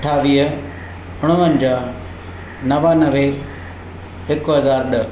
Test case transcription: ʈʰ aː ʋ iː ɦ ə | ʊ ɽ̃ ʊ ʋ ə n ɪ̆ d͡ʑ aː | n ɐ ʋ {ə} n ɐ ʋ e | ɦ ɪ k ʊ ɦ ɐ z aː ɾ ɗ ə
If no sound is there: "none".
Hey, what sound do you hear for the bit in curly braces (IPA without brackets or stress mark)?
a